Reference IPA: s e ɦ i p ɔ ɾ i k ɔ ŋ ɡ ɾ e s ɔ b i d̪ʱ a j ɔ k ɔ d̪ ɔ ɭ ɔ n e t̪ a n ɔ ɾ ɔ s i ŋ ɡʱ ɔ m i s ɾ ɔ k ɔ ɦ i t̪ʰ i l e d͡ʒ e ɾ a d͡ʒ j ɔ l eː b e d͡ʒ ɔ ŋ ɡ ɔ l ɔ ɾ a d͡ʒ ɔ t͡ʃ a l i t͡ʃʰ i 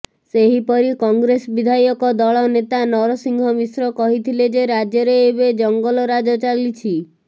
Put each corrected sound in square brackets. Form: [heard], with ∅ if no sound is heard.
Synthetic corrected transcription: s e ɦ i p ɔ ɾ i k ɔ ŋ ɡ ɾ e s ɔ b i d̪ʱ a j ɔ k ɔ d̪ ɔ ɭ ɔ n e t̪ a n ɔ ɾ ɔ s i ŋ ɡʱ ɔ m i s ɾ ɔ k ɔ ɦ i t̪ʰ i l e d͡ʒ e ɾ a d͡ʒ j ɔ [ɾ] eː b e d͡ʒ ɔ ŋ ɡ ɔ l ɔ ɾ a d͡ʒ ɔ t͡ʃ a l i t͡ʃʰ i